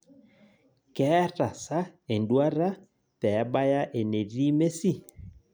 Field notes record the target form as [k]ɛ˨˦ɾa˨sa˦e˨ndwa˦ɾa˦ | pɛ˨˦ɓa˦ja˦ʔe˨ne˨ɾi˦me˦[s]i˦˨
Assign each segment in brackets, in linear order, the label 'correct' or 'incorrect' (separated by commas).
correct, correct